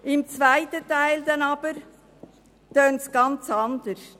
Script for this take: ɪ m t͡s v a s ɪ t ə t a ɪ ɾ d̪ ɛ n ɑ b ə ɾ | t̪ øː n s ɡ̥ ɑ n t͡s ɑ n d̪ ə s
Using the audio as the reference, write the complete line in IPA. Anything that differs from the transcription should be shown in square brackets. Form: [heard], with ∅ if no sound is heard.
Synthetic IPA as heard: ɪ m t͡s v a [∅] ɪ t ə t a ɪ [l] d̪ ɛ n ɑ b ə ɾ | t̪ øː n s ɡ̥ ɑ n t͡s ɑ n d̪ ə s